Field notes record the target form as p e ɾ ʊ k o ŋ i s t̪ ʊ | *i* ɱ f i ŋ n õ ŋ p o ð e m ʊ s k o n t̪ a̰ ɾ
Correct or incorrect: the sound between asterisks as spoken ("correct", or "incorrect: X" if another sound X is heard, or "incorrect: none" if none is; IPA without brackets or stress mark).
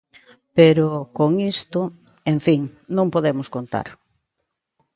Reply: incorrect: e